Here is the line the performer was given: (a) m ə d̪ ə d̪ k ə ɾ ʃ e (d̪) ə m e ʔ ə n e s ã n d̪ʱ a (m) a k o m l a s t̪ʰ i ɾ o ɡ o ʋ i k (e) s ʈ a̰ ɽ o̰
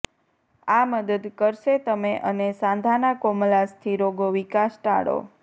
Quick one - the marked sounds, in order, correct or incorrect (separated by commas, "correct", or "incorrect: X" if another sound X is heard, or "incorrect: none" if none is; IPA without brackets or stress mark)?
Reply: correct, incorrect: t̪, incorrect: n, incorrect: a